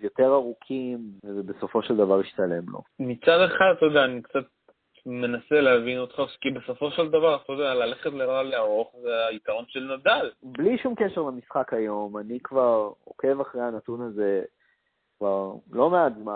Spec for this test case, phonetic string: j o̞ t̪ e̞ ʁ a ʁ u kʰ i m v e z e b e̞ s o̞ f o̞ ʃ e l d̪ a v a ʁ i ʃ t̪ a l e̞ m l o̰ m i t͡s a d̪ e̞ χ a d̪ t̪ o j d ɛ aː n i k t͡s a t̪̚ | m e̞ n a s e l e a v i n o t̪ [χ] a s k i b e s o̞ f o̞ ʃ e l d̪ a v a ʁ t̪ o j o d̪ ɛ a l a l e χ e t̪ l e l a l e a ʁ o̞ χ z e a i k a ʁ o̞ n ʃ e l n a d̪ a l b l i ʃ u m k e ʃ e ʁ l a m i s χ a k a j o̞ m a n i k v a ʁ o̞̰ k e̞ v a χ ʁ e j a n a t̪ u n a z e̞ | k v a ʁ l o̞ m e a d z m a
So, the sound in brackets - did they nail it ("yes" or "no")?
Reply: yes